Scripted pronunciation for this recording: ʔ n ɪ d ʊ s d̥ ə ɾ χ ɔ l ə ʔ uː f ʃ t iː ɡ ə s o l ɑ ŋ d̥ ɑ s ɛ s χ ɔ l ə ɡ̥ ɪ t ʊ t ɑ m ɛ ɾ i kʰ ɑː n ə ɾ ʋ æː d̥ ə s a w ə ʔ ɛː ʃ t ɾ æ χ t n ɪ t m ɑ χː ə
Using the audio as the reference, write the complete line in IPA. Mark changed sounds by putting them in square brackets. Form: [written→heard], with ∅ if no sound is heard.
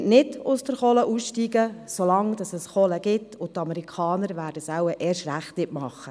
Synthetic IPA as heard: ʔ n ɪ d ʊ s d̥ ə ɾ χ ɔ l ə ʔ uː [f→s] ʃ t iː ɡ ə s o l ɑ ŋ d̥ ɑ s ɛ s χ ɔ l ə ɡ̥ ɪ t ʊ t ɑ m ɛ ɾ i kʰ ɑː n ə ɾ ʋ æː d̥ ə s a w ə ʔ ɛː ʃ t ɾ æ χ t n ɪ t m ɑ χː ə